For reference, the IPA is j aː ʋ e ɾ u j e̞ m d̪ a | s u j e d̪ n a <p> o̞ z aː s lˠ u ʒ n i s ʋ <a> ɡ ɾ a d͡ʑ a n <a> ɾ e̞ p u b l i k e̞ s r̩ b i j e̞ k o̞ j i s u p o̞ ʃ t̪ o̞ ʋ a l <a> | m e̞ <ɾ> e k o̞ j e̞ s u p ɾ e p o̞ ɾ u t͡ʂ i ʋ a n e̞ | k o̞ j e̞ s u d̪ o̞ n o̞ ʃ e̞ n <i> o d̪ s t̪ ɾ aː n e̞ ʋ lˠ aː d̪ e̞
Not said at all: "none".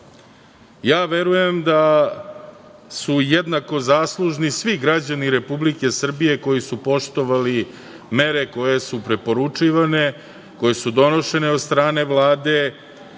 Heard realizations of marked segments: k, i, i, i, ɾ, e

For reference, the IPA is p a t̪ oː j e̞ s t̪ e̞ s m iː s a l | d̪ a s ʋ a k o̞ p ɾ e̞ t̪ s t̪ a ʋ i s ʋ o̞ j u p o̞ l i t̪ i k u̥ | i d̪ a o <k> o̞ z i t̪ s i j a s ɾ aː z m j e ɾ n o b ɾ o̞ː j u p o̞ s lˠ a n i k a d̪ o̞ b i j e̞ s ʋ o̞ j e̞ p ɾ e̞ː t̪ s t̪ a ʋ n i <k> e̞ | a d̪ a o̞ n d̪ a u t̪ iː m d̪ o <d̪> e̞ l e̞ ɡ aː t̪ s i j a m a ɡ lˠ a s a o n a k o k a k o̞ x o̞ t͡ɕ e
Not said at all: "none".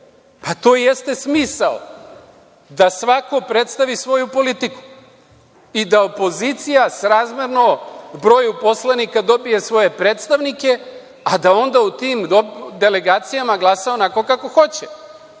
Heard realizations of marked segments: p, k, d̪

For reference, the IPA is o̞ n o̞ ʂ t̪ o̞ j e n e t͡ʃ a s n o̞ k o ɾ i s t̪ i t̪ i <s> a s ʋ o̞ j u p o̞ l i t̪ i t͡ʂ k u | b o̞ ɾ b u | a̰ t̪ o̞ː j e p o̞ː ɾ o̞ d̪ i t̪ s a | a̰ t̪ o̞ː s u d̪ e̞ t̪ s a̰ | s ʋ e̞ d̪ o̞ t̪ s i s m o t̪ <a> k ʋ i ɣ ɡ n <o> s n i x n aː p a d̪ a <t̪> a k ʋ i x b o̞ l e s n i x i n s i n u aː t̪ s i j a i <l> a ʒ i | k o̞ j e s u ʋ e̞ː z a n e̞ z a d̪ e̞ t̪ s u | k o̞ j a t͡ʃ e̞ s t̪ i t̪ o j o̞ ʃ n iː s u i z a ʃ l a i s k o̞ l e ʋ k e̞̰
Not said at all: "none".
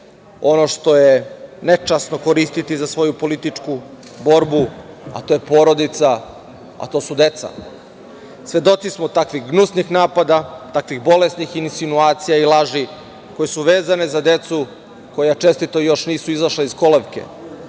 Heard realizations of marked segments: z, a, u, t̪, l

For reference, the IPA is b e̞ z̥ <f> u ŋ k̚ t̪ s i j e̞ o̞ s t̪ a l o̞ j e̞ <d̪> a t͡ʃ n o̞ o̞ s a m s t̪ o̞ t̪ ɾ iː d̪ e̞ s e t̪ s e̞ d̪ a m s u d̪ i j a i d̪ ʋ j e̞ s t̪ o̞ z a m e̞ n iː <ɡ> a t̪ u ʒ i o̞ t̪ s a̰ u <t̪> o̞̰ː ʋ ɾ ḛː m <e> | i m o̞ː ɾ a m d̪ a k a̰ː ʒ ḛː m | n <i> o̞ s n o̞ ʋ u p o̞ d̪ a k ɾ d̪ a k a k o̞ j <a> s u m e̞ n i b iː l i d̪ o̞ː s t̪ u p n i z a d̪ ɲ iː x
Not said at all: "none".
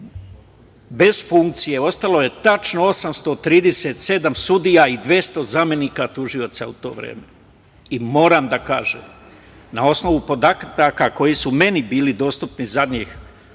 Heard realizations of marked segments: f, t̪, k, t̪, e, a, i

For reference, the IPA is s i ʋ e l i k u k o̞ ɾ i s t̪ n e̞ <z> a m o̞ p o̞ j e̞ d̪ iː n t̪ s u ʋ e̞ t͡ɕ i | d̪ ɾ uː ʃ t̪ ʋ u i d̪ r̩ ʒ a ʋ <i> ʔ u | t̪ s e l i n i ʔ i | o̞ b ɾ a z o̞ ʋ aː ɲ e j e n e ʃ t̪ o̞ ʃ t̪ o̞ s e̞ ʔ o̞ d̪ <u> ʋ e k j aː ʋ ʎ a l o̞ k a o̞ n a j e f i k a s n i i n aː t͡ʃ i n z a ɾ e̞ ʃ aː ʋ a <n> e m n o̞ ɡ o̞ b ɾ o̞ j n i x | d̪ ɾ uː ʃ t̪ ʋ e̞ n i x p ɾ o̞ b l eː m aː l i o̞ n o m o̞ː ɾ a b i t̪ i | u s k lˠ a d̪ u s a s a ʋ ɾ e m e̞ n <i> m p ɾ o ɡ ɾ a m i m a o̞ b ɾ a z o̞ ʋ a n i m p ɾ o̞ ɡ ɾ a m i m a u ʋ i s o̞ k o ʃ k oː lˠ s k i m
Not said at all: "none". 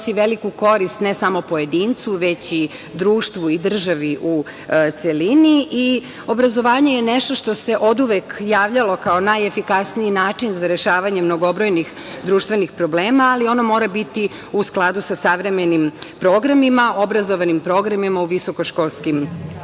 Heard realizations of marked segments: s, i, u, ɲ, i

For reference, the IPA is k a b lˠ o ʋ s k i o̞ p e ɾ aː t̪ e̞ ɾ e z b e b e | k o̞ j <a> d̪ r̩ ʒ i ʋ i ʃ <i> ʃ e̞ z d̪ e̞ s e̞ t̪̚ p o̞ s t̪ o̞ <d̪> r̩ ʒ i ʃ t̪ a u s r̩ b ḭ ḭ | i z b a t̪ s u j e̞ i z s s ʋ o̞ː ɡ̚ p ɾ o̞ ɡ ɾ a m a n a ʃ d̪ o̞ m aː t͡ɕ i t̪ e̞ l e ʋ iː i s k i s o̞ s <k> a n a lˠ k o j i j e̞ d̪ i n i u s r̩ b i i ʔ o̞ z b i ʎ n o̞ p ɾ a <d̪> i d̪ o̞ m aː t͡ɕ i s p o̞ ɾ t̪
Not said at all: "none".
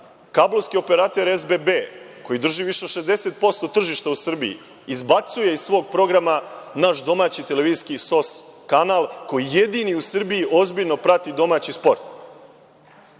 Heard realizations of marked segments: i, e, t̪, k, t̪

